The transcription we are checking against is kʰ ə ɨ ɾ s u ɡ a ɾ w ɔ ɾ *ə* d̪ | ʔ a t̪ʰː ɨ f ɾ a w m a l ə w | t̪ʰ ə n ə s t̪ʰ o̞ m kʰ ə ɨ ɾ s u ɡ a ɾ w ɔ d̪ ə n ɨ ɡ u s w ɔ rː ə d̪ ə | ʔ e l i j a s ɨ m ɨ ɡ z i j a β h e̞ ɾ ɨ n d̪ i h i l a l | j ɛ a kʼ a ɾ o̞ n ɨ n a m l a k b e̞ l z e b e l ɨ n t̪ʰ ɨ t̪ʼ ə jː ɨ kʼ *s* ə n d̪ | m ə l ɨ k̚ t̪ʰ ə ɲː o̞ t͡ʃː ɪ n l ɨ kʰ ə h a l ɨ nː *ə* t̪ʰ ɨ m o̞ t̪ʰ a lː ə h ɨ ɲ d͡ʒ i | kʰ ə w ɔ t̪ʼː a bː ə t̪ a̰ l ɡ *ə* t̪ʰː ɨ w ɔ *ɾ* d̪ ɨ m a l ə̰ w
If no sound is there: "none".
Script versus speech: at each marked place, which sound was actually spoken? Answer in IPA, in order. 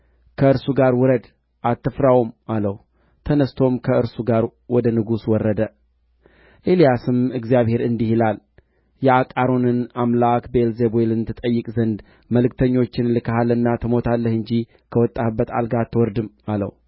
ə, z, a, a, ɾ

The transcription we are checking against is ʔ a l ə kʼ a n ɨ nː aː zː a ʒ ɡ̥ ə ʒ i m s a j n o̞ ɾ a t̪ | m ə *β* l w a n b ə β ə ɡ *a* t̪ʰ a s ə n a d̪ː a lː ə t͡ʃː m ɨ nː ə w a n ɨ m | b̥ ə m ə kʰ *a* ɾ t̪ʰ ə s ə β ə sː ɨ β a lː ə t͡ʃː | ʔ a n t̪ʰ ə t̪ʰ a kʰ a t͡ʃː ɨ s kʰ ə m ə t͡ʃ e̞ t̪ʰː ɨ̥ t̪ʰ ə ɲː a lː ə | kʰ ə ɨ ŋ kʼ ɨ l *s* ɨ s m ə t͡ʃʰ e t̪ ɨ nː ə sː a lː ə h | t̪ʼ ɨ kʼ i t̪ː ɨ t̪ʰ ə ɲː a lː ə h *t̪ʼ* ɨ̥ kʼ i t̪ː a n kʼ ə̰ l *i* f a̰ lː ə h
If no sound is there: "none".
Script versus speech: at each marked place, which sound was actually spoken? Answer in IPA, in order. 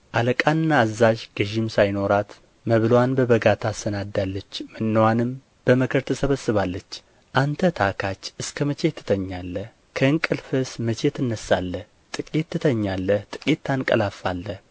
β, a, ə, f, t̪ʼ, a

